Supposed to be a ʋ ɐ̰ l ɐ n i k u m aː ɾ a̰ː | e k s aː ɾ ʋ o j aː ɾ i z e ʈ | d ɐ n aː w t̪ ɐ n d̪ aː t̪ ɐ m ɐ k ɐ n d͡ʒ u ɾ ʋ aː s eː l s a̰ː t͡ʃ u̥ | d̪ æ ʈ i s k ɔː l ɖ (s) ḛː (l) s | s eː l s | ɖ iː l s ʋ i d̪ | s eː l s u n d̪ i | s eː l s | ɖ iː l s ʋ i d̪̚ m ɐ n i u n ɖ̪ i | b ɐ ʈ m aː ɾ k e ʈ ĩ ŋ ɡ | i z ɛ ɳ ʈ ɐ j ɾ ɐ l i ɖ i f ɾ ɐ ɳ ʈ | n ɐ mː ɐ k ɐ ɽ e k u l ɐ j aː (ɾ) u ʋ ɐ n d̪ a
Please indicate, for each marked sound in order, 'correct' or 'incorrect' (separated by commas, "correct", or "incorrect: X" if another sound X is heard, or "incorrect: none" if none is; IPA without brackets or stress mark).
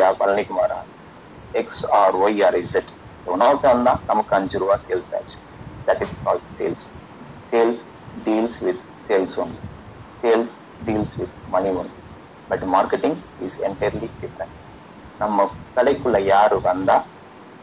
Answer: correct, correct, correct